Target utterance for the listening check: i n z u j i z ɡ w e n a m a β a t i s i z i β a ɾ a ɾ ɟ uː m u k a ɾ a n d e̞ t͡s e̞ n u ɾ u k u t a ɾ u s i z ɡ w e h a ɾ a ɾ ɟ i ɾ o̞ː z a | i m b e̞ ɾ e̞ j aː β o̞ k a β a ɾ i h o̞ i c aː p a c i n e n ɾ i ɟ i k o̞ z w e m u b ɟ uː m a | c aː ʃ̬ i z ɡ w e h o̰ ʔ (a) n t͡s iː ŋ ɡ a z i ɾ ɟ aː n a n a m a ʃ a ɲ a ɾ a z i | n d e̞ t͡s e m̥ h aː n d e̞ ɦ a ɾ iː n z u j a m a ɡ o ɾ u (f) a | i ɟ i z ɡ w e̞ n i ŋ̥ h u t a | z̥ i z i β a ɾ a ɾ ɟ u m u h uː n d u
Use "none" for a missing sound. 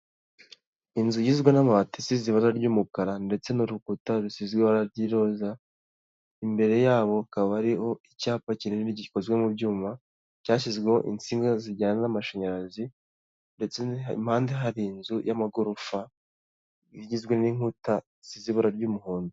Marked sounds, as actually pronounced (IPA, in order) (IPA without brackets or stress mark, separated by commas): i, f